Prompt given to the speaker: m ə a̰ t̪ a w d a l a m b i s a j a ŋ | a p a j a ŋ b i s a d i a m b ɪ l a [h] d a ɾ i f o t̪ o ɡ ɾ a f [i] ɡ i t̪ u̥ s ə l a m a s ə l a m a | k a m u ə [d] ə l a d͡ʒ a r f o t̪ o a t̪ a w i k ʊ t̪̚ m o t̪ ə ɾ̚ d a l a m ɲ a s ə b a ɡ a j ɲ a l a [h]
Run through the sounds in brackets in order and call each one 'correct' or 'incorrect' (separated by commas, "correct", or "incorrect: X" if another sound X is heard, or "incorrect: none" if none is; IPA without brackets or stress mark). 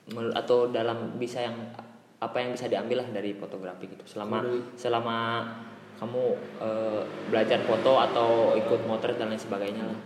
correct, correct, incorrect: b, correct